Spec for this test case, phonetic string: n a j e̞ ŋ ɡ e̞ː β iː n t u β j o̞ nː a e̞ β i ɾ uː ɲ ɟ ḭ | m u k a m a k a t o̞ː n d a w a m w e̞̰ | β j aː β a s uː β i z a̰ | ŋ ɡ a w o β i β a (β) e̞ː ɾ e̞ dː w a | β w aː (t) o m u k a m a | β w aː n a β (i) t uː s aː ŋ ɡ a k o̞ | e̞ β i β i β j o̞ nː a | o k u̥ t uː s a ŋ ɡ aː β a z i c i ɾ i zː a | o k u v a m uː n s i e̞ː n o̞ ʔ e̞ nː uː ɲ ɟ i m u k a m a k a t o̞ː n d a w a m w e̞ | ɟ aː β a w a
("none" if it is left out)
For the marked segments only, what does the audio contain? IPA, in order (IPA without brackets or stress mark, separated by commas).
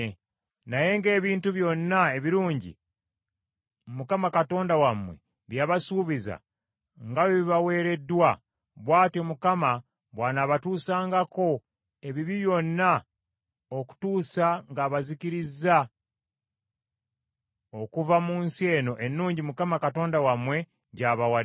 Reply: w, t, a